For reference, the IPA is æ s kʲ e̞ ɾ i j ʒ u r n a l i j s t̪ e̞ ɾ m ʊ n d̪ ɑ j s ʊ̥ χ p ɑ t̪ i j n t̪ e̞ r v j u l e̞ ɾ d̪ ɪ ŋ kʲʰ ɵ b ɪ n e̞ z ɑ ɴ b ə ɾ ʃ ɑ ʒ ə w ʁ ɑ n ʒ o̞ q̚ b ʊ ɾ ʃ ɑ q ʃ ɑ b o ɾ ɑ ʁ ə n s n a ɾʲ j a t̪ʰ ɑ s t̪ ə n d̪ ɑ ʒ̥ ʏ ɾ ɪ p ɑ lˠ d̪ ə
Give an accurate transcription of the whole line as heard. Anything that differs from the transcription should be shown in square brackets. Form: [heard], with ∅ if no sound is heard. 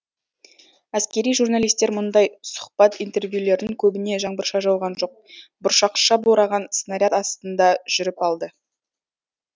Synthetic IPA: æ s kʲ e̞ ɾ i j ʒ u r n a l i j s t̪ e̞ ɾ m ʊ n d̪ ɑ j s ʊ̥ χ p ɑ t̪ i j n t̪ e̞ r v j u l e̞ ɾ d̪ ɪ ŋ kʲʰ ɵ b ɪ n e̞ [ʒ] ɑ ɴ b ə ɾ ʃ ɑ ʒ [ɑ] w ʁ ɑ n ʒ o̞ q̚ b ʊ ɾ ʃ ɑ q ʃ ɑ b o ɾ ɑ ʁ [ɑ] n s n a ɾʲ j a [t̪] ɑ s t̪ ə n d̪ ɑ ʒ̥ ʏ ɾ ɪ p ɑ lˠ d̪ ə

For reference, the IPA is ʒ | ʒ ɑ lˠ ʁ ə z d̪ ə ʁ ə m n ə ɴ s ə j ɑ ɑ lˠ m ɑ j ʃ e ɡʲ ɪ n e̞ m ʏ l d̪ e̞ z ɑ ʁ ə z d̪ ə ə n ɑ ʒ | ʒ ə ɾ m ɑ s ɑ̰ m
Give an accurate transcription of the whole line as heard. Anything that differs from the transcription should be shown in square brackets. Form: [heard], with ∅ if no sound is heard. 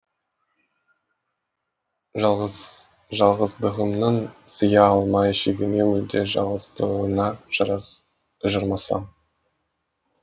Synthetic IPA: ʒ | ʒ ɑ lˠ ʁ ə z d̪ ə ʁ ə m n ə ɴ s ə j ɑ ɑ lˠ m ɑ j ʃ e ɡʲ ɪ n e̞ m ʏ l d̪ e̞ [ʒ] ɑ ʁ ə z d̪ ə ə n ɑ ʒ | ʒ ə ɾ m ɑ s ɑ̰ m

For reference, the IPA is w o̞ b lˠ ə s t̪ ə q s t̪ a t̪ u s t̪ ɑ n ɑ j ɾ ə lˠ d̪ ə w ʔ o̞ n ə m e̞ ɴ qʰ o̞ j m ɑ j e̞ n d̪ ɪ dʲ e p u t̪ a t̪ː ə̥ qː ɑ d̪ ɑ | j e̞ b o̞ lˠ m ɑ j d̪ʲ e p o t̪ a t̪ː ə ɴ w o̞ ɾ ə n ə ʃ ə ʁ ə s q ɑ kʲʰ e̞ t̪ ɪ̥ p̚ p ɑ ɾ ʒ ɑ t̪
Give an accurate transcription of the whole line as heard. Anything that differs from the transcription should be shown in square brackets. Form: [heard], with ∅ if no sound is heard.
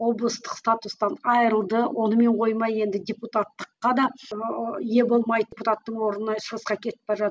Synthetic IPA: w o̞ b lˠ ə s t̪ ə q s t̪ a t̪ u s t̪ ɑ n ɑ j ɾ ə lˠ d̪ ə w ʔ o̞ n ə m e̞ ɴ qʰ o̞ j m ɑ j e̞ n d̪ ɪ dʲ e p u t̪ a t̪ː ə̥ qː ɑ d̪ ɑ | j e̞ b o̞ lˠ m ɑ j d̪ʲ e p [u] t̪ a t̪ː ə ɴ w o̞ ɾ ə n ə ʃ ə ʁ ə s q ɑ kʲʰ e̞ t̪ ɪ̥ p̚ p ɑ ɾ ʒ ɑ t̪

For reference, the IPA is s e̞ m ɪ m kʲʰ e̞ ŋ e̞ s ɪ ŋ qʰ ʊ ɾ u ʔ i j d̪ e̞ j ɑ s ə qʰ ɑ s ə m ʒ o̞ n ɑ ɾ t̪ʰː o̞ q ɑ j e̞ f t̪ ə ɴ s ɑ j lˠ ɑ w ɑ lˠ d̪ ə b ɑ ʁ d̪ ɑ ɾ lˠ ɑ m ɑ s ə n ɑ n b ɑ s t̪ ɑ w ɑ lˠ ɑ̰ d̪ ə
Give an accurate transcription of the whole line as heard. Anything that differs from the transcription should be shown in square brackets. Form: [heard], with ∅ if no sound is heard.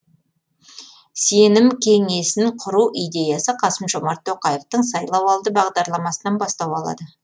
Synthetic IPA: s e̞ [n] ɪ m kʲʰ e̞ ŋ e̞ s ɪ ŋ qʰ ʊ ɾ u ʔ i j d̪ e̞ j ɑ s ə qʰ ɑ s ə m ʒ o̞ [m] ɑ ɾ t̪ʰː o̞ q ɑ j e̞ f t̪ ə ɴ s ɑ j lˠ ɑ w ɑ lˠ d̪ ə b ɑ ʁ d̪ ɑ ɾ lˠ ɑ m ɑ s ə n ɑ n b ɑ s t̪ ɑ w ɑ lˠ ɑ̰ d̪ ə

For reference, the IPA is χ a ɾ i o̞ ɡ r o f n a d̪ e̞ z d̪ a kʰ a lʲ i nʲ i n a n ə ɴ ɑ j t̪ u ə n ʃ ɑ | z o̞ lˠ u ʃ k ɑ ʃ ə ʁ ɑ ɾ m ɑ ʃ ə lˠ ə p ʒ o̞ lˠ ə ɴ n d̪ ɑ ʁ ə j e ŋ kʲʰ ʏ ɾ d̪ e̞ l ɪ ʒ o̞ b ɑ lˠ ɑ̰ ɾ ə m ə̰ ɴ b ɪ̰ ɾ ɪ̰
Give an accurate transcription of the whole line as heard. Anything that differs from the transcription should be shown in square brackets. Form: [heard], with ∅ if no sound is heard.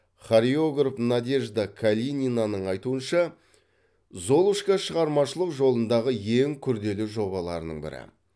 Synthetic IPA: χ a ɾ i o̞ ɡ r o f n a d̪ e̞ [ʒ] d̪ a kʰ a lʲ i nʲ i n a n ə ɴ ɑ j t̪ u ə n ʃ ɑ | z o̞ lˠ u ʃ k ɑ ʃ ə ʁ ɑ ɾ m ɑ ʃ ə lˠ ə [q] ʒ o̞ lˠ ə [∅] n d̪ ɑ ʁ ə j e ŋ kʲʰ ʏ ɾ d̪ e̞ l ɪ ʒ o̞ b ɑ lˠ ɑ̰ ɾ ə [n] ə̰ ɴ b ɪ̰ ɾ ɪ̰

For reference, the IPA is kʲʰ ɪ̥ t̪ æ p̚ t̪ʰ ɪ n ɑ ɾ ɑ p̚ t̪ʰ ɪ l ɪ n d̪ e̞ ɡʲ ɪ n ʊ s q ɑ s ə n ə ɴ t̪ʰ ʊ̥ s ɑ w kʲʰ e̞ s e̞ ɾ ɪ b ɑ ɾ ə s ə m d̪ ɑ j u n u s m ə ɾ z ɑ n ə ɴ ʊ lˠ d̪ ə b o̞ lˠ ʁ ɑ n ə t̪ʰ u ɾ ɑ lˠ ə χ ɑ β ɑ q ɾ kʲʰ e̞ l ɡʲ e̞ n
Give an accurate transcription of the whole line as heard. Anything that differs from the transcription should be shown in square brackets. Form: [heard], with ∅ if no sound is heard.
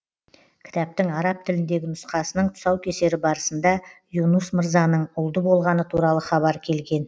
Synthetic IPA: kʲʰ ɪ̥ t̪ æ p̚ [t̪] ɪ [ŋ] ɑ ɾ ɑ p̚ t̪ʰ ɪ l ɪ n d̪ e̞ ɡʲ ɪ n ʊ s q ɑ s ə n ə ɴ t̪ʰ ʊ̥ s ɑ w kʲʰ e̞ s e̞ ɾ ɪ b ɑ ɾ ə s ə [n] d̪ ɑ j u n u s m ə ɾ z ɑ n ə ɴ ʊ lˠ d̪ ə b o̞ lˠ ʁ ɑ n ə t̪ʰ u ɾ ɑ lˠ ə χ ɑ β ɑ [∅] ɾ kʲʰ e̞ l ɡʲ e̞ n

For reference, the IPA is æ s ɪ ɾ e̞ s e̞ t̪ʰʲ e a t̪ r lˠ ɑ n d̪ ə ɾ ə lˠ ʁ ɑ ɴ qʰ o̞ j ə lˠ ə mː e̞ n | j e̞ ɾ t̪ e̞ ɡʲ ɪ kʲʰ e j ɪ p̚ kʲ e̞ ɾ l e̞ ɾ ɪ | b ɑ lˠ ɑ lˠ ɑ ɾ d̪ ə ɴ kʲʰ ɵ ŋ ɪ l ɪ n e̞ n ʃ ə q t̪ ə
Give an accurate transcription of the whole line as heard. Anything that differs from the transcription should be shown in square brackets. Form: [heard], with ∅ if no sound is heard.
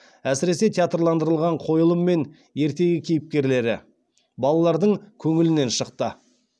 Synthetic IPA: æ s ɪ ɾ e̞ s e̞ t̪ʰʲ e a t̪ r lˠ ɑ n d̪ ə ɾ ə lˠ ʁ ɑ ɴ qʰ o̞ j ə lˠ ə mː e̞ n | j e̞ ɾ t̪ e̞ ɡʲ ɪ kʲʰ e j ɪ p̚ kʲ e̞ ɾ l e̞ ɾ ɪ | b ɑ lˠ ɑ lˠ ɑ ɾ d̪ ə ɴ kʲʰ ɵ ŋ ɪ l ɪ n e̞ n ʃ ə q t̪ ə

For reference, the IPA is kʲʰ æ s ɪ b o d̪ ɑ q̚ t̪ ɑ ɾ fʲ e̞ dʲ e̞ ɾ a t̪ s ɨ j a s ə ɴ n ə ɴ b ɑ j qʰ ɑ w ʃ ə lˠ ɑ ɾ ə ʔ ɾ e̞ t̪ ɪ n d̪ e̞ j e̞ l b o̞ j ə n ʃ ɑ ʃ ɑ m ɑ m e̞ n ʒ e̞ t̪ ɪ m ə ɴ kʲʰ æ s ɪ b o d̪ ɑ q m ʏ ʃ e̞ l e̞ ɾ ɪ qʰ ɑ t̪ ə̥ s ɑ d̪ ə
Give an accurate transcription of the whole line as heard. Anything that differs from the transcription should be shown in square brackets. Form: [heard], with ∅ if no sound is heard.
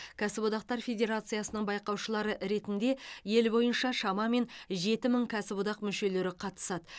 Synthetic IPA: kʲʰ æ s ɪ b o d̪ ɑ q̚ t̪ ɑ ɾ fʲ e̞ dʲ e̞ ɾ a t̪ s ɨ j a s ə [∅] n ə ɴ b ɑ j [q] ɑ w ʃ ə lˠ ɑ ɾ ə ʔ ɾ e̞ t̪ ɪ n d̪ e̞ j e̞ l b o̞ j ə n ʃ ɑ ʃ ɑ m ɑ m e̞ n ʒ e̞ t̪ ɪ m ə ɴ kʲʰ æ s ɪ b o d̪ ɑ q m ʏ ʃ e̞ l e̞ ɾ ɪ qʰ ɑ t̪ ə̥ s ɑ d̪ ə

